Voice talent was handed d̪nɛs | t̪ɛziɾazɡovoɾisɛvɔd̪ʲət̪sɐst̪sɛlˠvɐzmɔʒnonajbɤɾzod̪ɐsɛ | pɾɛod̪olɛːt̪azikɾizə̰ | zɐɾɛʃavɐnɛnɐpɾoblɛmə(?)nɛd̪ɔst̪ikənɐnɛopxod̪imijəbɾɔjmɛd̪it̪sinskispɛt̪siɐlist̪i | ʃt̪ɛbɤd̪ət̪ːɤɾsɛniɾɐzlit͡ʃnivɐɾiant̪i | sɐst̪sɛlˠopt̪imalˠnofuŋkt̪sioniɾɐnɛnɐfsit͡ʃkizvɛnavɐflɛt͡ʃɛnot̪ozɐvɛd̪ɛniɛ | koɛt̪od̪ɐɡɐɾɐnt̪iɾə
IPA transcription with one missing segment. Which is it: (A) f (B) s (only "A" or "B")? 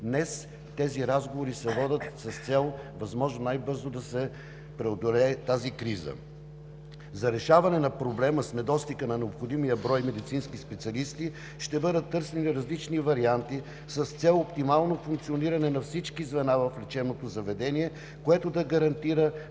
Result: B